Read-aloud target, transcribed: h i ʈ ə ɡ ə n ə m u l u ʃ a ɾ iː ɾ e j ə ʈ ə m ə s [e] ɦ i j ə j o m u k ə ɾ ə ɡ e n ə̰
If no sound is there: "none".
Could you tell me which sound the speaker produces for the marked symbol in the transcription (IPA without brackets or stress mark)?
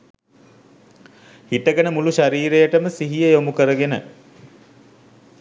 i